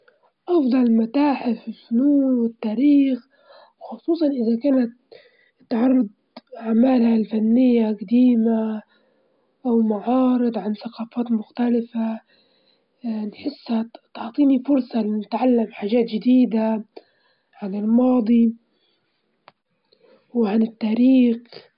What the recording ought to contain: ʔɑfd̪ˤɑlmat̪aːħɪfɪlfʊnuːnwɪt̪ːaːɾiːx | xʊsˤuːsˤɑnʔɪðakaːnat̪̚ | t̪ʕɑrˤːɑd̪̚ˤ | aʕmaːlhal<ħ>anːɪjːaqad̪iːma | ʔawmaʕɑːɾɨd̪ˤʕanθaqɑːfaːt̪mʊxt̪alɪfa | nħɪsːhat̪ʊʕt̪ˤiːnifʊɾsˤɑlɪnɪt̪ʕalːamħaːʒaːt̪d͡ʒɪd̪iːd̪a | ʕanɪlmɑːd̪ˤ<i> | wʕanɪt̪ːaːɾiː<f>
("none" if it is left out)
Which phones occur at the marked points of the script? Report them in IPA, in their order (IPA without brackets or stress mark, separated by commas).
f, i, x